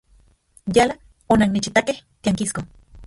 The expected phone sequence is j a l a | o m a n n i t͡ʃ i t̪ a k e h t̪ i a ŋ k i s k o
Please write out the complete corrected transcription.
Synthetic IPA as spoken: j a l a | o n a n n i t͡ʃ i t̪ a k e h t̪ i a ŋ k i s k o